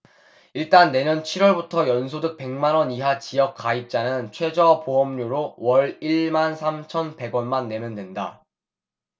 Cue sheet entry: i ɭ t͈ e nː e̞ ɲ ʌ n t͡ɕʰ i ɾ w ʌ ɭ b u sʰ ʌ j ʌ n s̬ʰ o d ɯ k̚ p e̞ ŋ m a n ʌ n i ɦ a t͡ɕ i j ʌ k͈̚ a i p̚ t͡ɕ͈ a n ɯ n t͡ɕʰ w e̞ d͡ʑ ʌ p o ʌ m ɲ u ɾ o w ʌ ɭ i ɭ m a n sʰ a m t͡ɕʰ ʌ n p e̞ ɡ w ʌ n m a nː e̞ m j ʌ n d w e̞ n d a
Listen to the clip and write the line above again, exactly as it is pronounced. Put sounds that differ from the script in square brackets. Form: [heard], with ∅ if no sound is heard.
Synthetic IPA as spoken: i ɭ t͈ [a] nː e̞ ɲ ʌ n t͡ɕʰ i ɾ w ʌ ɭ b u [tʰ] ʌ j ʌ n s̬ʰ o d ɯ k̚ p e̞ ŋ m a n ʌ n i ɦ a t͡ɕ i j ʌ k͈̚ a i p̚ t͡ɕ͈ a n ɯ n t͡ɕʰ w e̞ d͡ʑ ʌ p o ʌ m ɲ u ɾ o w ʌ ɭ i ɭ m a n sʰ a m t͡ɕʰ ʌ n p e̞ ɡ w ʌ n m a nː e̞ m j ʌ n d w e̞ n d a